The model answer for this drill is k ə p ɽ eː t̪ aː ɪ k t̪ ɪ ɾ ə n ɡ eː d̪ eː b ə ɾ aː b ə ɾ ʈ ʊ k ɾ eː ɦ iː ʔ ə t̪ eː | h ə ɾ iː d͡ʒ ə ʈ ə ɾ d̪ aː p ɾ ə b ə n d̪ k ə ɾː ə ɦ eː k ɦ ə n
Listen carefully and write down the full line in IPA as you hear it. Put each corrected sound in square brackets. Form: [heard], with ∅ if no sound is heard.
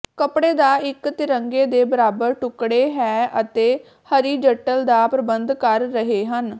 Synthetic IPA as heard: k ə p ɽ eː [d̪] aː ɪ k t̪ ɪ ɾ ə [ŋ] ɡ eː d̪ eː b ə ɾ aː b ə ɾ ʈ ʊ k [ɽ] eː ɦ [ɛː] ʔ ə t̪ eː | h ə ɾ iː d͡ʒ ə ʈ ə [l] d̪ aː p ɾ ə b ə n d̪ k ə ɾː ə ɦ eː [∅] ɦ ə n